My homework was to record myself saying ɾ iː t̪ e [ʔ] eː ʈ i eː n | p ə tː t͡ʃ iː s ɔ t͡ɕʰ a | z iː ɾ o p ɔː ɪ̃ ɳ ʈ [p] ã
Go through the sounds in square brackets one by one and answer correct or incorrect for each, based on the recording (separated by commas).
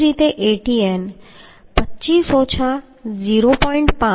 correct, correct